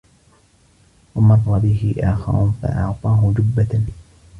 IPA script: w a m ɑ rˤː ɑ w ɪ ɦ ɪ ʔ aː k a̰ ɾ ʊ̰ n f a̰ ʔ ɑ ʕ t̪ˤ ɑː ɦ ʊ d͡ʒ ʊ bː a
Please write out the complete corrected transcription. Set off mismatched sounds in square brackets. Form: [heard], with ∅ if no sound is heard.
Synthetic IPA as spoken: w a m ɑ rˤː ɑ [b] ɪ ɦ ɪ ʔ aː [x] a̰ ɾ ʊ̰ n f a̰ ʔ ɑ ʕ t̪ˤ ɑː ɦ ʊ d͡ʒ ʊ bː a